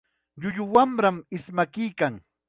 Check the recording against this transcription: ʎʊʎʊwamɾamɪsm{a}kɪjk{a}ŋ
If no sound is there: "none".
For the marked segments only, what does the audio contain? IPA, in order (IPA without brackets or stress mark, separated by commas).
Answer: a, a